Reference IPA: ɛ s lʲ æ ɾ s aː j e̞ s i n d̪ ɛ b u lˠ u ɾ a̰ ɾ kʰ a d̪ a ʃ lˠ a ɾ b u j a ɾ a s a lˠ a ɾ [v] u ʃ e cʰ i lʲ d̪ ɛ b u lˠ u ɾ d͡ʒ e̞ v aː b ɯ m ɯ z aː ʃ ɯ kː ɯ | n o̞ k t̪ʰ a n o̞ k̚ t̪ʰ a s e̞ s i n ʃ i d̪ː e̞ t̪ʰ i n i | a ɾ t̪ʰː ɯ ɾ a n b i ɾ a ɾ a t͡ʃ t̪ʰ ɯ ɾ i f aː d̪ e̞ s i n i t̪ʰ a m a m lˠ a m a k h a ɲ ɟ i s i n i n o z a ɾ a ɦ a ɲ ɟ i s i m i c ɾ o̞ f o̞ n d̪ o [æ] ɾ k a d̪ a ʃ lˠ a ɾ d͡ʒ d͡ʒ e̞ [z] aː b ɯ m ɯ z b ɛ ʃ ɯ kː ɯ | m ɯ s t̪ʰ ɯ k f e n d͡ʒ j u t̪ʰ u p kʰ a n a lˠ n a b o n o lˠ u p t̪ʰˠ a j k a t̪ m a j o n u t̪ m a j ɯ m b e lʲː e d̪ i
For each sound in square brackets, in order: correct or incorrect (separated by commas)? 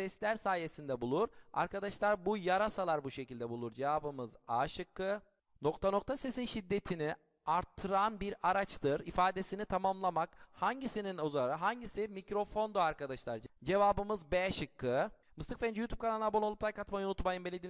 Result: incorrect, incorrect, incorrect